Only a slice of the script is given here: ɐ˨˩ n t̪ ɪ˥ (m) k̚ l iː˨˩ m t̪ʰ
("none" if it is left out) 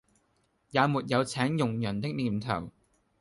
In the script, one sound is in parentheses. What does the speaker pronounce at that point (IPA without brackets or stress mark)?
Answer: none